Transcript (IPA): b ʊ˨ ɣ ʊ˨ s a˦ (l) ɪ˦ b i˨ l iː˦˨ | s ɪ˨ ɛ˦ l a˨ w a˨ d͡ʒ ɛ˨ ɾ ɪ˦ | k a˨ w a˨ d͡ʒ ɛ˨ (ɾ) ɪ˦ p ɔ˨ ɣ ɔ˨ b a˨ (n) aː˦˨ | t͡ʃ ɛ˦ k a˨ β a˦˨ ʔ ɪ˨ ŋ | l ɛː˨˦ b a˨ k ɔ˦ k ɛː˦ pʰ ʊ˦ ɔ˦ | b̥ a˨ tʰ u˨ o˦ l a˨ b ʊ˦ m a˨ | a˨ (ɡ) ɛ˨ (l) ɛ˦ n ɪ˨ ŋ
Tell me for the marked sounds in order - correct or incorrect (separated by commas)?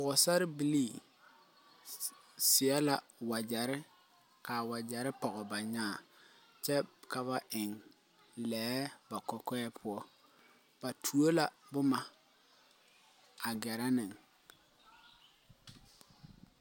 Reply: incorrect, correct, incorrect, correct, incorrect